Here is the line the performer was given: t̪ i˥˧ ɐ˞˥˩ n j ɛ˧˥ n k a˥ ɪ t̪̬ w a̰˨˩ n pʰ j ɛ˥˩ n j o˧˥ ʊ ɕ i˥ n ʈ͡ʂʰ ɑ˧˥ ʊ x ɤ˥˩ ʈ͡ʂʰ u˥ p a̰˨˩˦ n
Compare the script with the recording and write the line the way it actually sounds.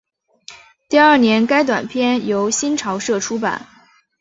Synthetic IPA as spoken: t̪ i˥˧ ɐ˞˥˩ n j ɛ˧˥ n k a˥ ɪ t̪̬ w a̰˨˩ n pʰ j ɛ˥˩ n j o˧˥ ʊ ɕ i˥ n ʈ͡ʂʰ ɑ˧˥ ʊ ʂ ɤ˥˩ ʈ͡ʂʰ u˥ p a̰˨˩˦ n